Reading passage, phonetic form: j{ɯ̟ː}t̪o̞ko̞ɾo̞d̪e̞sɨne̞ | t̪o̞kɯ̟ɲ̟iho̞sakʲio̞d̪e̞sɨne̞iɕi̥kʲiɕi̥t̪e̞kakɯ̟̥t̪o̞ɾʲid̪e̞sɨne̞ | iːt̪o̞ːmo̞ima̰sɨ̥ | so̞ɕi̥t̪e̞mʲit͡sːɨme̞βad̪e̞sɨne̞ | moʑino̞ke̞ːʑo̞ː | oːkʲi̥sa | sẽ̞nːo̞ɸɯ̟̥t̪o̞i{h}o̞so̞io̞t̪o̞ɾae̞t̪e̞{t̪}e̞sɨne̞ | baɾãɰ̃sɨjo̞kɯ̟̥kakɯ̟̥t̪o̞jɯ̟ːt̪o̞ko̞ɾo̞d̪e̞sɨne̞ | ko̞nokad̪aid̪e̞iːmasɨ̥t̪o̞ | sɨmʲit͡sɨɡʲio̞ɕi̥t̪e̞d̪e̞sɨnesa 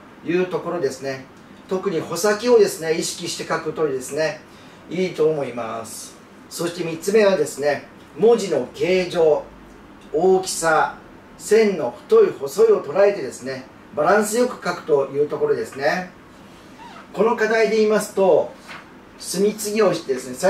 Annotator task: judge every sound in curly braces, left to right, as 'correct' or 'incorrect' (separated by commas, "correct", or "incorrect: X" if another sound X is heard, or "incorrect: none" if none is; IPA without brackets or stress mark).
correct, correct, incorrect: d̪